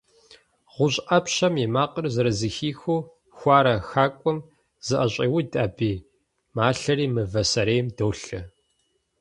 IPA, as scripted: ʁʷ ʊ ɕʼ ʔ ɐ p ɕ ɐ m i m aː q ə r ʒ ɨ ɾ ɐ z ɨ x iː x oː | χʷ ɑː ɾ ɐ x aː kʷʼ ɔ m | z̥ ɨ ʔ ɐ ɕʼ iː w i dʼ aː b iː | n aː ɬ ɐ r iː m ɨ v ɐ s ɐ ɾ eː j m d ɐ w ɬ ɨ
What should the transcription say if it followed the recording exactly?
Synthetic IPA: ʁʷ ʊ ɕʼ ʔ ɐ p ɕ ɐ m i m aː q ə r z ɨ ɾ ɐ z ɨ x iː x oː | xʷ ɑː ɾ ɐ x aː kʷʼ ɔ m | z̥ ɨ ʔ ɐ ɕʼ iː w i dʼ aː b iː | m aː ɬ ɐ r iː m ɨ v ɐ s ɐ ɾ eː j m d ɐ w ɬ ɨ

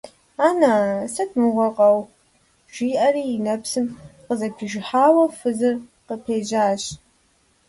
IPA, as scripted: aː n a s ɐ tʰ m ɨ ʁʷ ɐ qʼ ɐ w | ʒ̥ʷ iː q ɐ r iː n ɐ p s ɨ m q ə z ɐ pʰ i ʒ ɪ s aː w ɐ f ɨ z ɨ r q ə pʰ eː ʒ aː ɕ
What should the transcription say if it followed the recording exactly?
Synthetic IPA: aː n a s ɐ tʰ m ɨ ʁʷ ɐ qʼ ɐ w | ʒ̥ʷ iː ʔ ɐ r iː n ɐ p s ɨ m q ə z ɐ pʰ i ʒ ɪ ħ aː w ɐ f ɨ z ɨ r q ə pʰ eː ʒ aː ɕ

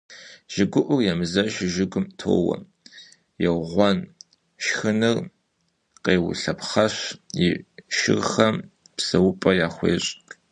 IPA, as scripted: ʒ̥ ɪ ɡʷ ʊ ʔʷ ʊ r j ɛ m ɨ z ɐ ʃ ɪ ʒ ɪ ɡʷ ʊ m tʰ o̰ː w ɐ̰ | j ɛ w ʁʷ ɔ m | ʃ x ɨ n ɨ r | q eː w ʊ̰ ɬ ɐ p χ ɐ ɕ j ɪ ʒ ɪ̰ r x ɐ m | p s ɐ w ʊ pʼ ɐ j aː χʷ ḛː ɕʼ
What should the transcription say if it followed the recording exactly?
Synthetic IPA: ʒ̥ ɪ ɡʷ ʊ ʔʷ ʊ r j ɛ m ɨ z ɐ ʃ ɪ ʒ ɪ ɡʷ ʊ m tʰ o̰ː w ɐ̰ | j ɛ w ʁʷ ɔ n | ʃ x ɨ n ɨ r | q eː w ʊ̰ ɬ ɐ p χ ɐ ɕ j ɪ ʃ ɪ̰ r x ɐ m | p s ɐ w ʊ pʼ ɐ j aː χʷ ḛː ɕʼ

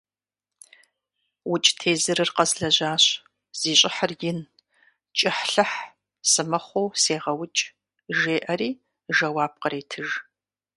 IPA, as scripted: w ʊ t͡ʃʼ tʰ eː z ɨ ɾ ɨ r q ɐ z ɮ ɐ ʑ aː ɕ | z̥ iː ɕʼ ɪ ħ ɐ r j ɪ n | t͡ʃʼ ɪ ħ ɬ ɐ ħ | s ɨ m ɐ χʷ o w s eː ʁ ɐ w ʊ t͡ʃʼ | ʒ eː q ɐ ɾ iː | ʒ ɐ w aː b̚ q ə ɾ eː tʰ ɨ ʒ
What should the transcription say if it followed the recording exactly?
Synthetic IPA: w ʊ t͡ʃʼ tʰ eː z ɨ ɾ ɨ r q ɐ z ɮ ɐ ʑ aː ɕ | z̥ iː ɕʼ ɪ ħ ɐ r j ɪ n | t͡ʃʼ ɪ ħ ɬ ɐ ħ | s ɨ m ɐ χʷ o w s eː ʁ ɐ w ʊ t͡ʃʼ | ʒ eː ʔ ɐ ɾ iː | ʒ ɐ w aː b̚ q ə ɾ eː tʰ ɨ ʒ

